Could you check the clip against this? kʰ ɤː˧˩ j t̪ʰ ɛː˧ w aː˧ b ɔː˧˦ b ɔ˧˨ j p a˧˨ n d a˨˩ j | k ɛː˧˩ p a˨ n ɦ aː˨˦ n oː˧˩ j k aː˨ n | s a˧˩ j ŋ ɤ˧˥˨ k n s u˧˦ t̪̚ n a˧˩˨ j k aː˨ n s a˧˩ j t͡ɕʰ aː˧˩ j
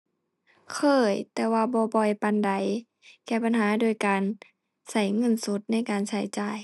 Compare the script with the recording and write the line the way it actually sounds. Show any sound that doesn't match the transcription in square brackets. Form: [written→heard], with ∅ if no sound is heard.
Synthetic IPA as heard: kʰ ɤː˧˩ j [t̪ʰ→t̪] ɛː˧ w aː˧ b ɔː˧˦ b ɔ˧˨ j p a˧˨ n d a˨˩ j | k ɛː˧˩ p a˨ n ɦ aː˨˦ [n→d] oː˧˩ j k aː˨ n | s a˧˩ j ŋ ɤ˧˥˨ [k→∅] n s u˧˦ t̪̚ n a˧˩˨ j k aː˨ n s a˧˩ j [t͡ɕʰ→t͡ɕ] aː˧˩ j